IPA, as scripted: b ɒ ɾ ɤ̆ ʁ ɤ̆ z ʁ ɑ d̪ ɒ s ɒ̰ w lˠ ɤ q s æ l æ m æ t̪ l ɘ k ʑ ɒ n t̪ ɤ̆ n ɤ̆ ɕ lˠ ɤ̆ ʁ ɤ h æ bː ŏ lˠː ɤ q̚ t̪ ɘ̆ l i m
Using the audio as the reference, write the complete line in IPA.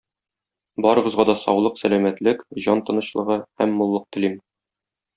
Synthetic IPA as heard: b ɒ ɾ ɤ̆ ʁ ɤ̆ z ʁ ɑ d̪ ɒ s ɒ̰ w lˠ ɤ q s æ l æ m æ t̪ l ɘ k ʑ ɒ n t̪ ɤ̆ n ɤ̆ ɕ lˠ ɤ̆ ʁ ɤ h æ mː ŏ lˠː ɤ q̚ t̪ ɘ̆ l i m